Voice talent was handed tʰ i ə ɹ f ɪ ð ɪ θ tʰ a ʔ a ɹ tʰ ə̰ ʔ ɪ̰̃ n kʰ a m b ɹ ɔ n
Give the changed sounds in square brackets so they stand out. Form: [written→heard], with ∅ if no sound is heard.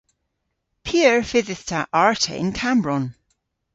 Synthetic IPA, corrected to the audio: [tʰ→pʰ] i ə ɹ f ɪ ð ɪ θ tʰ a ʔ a ɹ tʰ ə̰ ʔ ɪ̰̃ n kʰ a m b ɹ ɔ n